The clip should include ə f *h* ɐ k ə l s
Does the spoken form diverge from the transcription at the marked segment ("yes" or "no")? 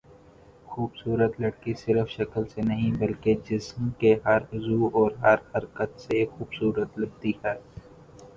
yes